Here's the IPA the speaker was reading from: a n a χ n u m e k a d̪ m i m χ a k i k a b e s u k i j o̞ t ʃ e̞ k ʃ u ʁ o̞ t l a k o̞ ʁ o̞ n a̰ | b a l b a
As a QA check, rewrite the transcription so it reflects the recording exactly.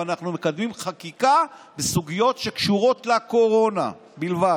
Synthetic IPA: a n a χ n u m e k a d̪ m i m χ a k i k a b e s u ɡ i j o̞ t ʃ e̞ k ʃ u ʁ o̞ t l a k o̞ ʁ o̞ n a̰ | b i l v a